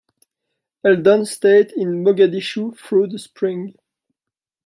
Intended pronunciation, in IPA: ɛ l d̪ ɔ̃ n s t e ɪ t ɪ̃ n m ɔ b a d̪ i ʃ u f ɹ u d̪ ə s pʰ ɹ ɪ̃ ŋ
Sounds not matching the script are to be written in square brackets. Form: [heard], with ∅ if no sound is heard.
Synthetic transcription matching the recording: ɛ l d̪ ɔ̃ n s t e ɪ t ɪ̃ n m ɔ [ɡ] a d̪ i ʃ u f ɹ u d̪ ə s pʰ ɹ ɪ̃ ŋ